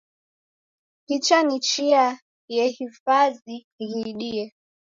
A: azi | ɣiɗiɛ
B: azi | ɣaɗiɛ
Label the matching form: A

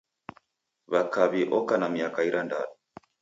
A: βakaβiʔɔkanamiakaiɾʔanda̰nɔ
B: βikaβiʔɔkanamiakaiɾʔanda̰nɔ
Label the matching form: A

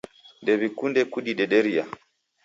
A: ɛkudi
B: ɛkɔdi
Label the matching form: A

